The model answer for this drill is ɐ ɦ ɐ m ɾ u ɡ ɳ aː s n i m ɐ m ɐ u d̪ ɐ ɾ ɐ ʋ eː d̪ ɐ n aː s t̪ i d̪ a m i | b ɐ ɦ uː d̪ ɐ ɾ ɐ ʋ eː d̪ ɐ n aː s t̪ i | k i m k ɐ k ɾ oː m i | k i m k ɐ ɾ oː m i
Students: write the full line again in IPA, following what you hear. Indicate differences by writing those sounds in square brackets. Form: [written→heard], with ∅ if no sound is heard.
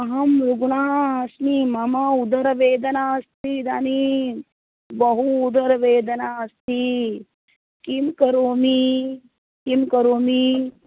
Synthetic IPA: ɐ ɦ ɐ m ɾ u ɡ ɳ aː s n i m ɐ m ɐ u d̪ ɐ ɾ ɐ ʋ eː d̪ ɐ n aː s t̪ i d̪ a [m→n] i | b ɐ ɦ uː d̪ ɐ ɾ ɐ ʋ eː d̪ ɐ n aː s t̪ i | k i m k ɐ [k→∅] ɾ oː m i | k i m k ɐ ɾ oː m i